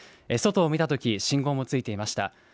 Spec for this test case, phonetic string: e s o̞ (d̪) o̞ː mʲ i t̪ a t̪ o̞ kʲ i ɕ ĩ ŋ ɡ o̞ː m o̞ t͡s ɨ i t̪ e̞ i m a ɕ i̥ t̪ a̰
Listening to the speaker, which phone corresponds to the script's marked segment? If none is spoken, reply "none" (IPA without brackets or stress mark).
t̪